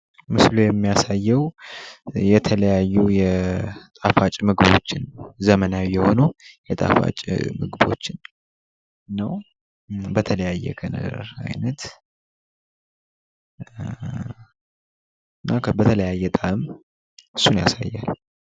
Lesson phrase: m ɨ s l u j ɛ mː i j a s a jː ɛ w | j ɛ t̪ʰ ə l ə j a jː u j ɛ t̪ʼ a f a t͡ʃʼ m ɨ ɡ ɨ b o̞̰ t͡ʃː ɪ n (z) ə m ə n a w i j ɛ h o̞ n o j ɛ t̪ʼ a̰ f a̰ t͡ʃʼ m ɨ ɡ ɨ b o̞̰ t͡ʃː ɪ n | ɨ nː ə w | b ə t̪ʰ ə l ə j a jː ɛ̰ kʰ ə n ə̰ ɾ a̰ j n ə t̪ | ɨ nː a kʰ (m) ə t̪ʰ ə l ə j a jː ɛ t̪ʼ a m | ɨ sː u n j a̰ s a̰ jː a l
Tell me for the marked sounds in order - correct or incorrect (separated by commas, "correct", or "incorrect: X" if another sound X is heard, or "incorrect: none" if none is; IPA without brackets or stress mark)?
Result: correct, incorrect: b